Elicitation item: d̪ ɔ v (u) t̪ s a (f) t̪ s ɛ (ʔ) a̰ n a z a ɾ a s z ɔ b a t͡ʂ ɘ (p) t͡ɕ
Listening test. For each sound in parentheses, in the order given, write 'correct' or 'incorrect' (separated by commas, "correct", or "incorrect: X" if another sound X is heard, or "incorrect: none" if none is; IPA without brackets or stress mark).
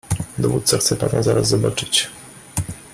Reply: correct, incorrect: x, incorrect: p, incorrect: none